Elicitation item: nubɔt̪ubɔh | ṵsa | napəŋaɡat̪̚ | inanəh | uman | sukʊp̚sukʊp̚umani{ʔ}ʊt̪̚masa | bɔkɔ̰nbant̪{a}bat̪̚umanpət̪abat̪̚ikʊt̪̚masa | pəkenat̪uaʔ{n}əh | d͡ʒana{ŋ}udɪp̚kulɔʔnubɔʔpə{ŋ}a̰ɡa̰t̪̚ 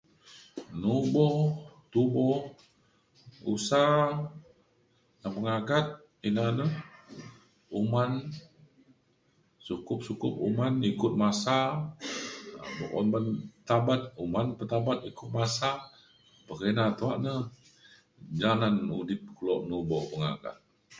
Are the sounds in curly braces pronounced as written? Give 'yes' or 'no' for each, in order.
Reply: no, yes, yes, no, yes

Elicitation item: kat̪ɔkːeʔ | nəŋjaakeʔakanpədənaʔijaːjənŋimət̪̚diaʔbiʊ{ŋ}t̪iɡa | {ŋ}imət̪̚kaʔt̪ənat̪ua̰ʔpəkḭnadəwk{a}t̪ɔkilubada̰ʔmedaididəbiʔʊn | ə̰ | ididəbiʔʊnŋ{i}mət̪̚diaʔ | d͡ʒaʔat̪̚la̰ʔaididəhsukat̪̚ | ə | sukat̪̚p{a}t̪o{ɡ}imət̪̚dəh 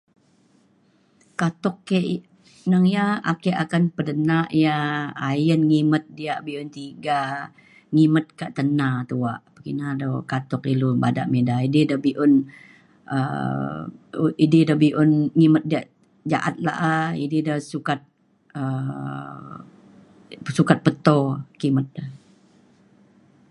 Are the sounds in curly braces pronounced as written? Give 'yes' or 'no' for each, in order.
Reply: no, yes, yes, yes, no, no

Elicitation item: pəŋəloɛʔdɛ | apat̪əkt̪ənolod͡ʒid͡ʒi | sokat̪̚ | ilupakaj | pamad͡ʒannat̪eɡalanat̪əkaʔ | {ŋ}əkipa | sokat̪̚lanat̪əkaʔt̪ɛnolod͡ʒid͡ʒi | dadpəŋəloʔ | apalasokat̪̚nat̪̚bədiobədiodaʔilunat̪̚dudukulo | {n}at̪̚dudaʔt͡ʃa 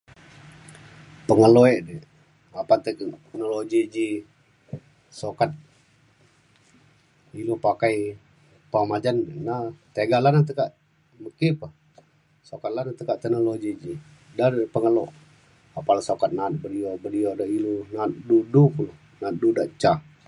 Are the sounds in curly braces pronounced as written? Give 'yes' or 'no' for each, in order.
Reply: no, yes

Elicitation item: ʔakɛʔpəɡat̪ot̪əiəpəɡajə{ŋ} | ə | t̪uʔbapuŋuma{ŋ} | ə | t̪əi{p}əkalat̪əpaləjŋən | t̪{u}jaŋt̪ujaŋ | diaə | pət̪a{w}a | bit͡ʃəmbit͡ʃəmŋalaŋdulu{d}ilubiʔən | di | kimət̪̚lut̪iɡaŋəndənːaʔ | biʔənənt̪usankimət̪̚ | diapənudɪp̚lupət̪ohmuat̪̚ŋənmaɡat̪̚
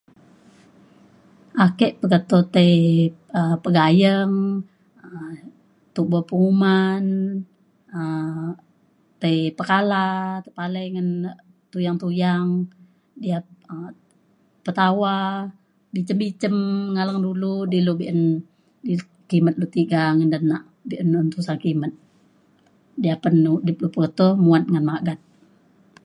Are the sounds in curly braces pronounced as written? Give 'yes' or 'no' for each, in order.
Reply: yes, no, yes, yes, yes, yes

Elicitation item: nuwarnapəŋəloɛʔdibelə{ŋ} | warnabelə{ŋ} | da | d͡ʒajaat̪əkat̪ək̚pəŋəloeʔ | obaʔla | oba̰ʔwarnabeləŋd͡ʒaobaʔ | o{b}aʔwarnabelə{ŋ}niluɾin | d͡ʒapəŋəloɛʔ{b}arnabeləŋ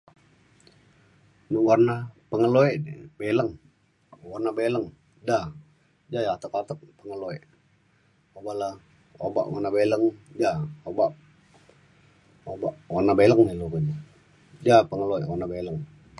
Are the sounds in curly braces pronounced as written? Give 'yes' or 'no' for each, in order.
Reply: yes, yes, yes, yes, no

